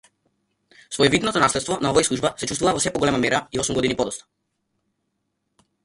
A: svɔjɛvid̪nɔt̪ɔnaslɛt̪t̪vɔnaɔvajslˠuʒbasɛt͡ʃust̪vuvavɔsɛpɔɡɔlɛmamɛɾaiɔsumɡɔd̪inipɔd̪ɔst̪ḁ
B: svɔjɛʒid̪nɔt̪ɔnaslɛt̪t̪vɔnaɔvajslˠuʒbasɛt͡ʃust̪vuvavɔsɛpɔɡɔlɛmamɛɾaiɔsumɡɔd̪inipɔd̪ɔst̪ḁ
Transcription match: A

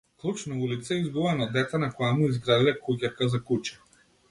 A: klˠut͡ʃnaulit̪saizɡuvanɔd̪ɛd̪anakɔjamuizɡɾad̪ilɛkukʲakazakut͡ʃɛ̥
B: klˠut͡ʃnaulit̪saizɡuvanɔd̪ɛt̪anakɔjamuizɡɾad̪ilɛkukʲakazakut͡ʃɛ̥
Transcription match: B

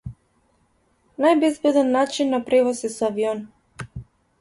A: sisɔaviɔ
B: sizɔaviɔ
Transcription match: A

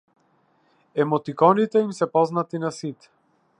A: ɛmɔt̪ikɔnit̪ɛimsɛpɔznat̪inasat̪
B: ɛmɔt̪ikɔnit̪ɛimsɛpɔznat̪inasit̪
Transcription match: B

